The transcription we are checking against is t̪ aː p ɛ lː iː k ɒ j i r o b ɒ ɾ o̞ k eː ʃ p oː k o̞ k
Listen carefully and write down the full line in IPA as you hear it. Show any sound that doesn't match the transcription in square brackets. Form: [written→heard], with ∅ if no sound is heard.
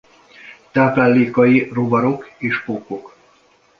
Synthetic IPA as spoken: t̪ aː p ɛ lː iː k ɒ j i r o b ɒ ɾ o̞ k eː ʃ p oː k o̞ k